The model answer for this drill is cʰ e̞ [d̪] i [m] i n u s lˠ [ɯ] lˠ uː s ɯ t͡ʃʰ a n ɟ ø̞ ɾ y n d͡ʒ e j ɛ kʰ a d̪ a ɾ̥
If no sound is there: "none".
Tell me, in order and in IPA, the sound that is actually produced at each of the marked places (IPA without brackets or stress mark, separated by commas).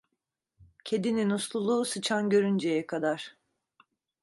d̪, n, u